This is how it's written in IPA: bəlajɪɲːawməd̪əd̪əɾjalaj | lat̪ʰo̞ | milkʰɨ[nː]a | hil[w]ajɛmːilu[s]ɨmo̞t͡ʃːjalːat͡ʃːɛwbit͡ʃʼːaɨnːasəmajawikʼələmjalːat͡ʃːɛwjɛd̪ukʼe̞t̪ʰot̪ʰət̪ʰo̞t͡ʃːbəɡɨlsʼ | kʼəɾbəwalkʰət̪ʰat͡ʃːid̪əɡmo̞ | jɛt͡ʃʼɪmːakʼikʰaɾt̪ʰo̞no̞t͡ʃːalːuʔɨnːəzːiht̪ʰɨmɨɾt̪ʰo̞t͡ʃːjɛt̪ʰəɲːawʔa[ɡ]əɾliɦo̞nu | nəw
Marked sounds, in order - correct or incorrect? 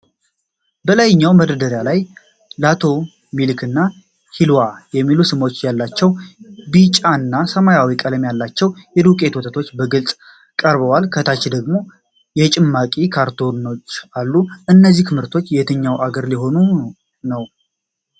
correct, correct, correct, correct

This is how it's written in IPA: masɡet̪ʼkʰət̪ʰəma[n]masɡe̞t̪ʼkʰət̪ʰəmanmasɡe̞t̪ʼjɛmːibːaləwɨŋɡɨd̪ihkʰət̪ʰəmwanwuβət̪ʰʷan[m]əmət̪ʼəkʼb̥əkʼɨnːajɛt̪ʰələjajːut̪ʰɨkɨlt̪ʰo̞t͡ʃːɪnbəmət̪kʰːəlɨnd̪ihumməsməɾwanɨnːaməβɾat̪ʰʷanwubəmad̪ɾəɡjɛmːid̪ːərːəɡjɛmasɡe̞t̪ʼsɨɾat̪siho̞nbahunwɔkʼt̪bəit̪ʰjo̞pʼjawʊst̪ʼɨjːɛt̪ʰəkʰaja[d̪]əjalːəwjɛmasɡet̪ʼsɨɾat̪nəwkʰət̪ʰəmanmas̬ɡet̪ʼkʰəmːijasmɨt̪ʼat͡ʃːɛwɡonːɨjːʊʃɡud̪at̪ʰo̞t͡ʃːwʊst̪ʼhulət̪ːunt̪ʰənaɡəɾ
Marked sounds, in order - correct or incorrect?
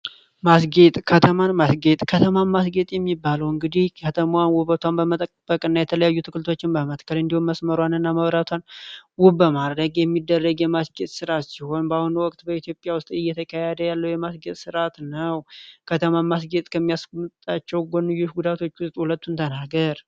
correct, incorrect, correct

